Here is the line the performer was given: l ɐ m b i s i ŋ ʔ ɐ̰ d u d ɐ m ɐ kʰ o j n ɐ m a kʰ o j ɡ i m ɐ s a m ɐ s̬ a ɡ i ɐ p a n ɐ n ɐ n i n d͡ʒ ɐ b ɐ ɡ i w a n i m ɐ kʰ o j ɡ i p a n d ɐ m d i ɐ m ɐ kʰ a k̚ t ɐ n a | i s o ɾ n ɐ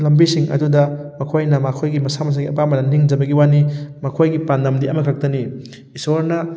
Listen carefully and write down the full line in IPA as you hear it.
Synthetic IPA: l ɐ m b i s i ŋ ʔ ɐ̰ d u d ɐ m ɐ kʰ o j n ɐ m a kʰ o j ɡ i m ɐ s a m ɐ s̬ a ɡ i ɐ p a m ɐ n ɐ n i ŋ d͡ʒ ɐ b ɐ ɡ i w a n i m ɐ kʰ o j ɡ i p a n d ɐ m d i ɐ m ɐ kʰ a k̚ t ɐ n i | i s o ɾ n ɐ